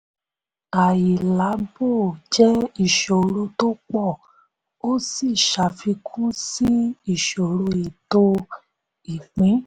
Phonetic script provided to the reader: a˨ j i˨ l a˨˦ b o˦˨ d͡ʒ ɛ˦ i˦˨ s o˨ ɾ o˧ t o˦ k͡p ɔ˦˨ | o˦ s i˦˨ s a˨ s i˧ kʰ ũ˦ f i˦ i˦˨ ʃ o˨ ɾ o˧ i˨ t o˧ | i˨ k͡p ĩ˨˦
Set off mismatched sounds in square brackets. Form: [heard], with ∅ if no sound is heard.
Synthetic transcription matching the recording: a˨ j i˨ l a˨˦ b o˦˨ d͡ʒ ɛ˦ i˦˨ [ʃ] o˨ ɾ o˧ t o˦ k͡p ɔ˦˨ | o˦ s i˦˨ [ʃ] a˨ [f] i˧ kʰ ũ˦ [s] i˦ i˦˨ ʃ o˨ ɾ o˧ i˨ t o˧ | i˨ k͡p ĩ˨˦